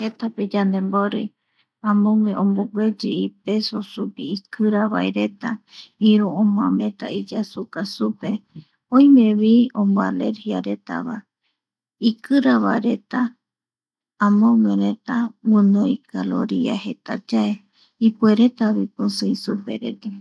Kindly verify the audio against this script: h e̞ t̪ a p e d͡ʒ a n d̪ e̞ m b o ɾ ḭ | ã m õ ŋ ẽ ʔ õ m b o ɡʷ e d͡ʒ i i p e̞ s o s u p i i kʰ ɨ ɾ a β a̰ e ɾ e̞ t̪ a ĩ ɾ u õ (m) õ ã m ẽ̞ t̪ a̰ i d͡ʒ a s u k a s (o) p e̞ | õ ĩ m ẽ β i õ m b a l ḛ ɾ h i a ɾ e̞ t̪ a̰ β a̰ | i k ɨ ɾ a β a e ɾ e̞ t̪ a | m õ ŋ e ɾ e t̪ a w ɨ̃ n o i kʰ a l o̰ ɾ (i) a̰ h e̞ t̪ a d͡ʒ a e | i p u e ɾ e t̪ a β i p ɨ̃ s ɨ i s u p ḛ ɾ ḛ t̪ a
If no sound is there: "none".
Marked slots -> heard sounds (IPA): m, u, i

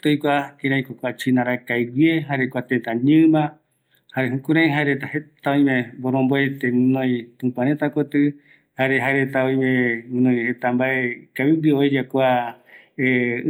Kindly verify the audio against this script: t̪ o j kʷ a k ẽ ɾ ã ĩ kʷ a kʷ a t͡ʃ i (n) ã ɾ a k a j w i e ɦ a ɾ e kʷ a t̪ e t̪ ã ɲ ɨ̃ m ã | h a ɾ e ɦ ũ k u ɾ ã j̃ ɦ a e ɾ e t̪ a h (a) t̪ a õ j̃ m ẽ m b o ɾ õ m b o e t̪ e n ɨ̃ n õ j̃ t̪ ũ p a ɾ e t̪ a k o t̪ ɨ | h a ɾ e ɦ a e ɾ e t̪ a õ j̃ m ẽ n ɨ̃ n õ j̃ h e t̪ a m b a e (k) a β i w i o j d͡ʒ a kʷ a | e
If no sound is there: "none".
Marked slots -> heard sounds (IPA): n, e, k

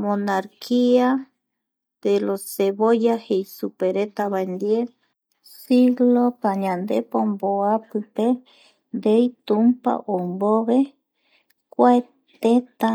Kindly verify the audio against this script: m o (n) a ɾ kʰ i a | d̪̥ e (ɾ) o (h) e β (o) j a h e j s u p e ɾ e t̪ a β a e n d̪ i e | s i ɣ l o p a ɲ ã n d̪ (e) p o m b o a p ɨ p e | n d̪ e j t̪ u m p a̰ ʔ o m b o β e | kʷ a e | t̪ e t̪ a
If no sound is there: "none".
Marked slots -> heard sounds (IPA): n, l, s, o, e

